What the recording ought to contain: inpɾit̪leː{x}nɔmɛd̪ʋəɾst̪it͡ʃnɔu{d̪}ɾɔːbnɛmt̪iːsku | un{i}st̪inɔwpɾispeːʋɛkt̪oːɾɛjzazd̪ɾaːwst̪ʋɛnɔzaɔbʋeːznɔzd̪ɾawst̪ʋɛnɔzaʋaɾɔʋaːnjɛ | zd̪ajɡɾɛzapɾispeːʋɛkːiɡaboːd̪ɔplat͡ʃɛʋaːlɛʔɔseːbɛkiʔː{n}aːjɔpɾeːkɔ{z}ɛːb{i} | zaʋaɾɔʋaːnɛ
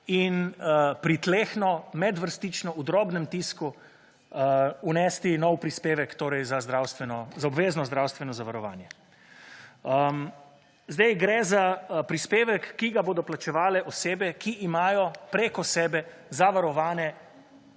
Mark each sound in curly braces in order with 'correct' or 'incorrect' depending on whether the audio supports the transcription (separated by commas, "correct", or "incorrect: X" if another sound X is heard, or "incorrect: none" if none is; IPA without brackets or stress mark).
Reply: correct, correct, incorrect: ɛ, incorrect: m, incorrect: s, incorrect: ɛ